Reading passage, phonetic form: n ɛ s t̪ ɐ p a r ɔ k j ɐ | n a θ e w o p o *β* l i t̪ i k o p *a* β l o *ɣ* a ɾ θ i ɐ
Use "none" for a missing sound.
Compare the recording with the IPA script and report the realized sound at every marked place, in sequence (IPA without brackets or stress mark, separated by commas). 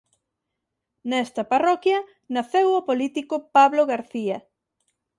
none, a, ɣ